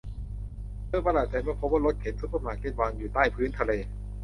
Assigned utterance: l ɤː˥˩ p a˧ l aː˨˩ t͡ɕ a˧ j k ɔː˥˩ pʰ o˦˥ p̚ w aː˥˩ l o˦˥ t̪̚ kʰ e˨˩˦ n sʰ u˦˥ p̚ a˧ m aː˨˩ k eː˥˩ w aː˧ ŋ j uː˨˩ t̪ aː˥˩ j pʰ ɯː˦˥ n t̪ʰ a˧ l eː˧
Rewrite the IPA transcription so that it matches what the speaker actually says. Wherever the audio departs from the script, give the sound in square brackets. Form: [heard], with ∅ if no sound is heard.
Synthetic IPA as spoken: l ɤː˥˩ p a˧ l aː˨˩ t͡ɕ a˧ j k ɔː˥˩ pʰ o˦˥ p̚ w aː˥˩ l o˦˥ t̪̚ kʰ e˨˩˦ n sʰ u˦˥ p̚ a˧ m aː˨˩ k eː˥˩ w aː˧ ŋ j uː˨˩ t̪ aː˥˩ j pʰ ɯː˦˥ n t̪ʰ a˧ l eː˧